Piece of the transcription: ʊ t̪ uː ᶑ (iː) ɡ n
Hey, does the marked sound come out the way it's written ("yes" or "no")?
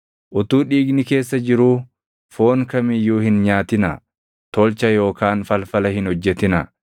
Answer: yes